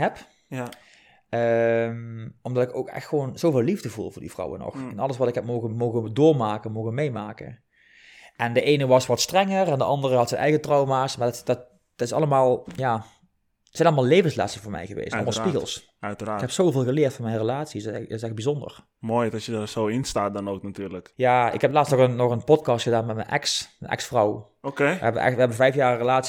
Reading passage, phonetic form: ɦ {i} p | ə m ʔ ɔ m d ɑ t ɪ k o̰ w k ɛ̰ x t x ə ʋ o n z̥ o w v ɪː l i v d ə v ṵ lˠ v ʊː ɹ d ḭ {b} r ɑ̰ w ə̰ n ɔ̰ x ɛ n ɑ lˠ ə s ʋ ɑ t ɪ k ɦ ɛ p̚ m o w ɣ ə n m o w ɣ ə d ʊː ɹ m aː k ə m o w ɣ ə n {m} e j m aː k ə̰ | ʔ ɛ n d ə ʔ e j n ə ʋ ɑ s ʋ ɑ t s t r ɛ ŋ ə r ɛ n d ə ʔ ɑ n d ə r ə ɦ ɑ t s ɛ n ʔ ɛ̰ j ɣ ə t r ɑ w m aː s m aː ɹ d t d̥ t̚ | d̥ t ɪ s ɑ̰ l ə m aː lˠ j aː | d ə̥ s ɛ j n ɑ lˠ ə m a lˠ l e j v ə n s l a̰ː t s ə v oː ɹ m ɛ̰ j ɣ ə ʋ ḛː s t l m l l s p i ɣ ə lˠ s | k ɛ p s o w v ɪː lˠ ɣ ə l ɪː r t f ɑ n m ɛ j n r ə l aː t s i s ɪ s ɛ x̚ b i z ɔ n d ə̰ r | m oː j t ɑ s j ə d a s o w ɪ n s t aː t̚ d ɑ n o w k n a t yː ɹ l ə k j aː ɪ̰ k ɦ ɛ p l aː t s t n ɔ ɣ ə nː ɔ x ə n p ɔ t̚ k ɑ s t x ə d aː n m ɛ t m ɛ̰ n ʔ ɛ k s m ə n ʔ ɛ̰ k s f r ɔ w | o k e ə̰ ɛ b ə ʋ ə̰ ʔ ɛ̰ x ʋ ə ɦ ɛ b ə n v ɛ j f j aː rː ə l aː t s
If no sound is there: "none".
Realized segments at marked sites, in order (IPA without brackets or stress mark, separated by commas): ɛ, v, m